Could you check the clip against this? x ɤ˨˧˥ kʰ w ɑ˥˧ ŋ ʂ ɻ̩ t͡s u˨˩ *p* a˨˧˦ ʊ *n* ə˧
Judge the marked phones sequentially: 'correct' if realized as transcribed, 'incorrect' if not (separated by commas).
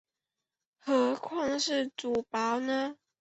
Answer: correct, correct